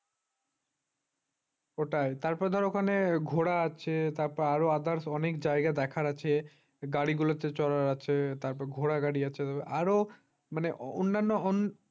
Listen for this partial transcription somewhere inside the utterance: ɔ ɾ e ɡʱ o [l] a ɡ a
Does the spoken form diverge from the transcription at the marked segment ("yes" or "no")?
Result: yes